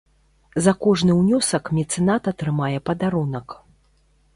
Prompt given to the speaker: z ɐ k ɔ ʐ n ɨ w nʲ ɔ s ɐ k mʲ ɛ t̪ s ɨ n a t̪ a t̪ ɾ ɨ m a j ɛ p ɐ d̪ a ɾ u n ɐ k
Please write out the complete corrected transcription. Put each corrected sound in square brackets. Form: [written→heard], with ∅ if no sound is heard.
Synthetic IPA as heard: z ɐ k ɔ ʐ n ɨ w nʲ ɔ s ɐ k mʲ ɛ t̪ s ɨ n a t̪ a t̪ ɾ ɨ m a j ɛ p ɐ d̪ a ɾ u n ɐ k